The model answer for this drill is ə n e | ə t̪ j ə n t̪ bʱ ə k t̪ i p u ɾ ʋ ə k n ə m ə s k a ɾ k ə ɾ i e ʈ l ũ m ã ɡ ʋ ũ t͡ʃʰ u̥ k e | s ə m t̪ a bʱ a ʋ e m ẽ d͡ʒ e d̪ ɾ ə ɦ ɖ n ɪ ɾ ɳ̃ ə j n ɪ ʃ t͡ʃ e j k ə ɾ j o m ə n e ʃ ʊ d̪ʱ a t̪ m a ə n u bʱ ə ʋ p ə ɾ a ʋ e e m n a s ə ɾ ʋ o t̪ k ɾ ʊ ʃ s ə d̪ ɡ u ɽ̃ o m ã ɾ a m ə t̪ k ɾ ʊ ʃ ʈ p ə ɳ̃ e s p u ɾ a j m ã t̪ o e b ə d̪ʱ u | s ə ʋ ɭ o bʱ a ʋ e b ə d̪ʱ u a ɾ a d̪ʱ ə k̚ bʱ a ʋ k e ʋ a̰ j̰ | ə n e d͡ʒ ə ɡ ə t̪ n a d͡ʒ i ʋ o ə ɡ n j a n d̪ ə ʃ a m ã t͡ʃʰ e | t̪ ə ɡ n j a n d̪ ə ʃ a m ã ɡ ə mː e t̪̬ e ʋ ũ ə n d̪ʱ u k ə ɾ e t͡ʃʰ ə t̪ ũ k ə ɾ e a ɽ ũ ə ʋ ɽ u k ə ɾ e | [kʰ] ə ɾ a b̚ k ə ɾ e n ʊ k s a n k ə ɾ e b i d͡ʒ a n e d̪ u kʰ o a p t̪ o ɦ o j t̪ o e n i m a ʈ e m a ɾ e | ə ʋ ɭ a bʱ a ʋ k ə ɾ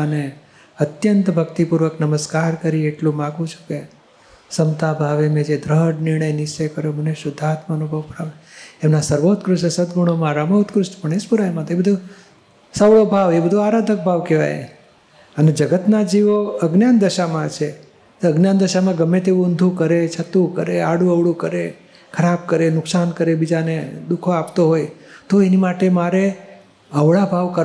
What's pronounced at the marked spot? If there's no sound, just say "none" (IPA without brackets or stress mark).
kʰ